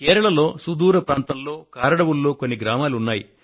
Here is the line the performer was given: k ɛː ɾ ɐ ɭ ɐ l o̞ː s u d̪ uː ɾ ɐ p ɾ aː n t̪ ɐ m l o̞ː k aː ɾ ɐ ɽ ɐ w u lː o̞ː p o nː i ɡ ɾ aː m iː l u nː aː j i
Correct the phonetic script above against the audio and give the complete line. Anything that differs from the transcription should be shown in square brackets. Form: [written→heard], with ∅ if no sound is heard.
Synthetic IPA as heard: k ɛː ɾ ɐ ɭ ɐ l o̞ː s u d̪ uː ɾ ɐ p ɾ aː n t̪ ɐ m l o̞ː k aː ɾ ɐ ɽ ɐ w u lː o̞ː [p→k] o nː i ɡ ɾ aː m [iː→aː] l u nː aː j i